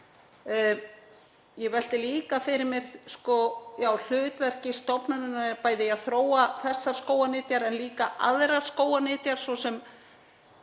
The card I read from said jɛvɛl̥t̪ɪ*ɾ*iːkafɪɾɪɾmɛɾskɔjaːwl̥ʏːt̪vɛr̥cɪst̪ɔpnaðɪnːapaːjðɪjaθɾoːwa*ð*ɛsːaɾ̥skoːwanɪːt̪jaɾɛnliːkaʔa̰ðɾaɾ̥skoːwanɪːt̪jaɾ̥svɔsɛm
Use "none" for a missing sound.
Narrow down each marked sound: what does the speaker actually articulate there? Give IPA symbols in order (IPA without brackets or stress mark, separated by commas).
l, θ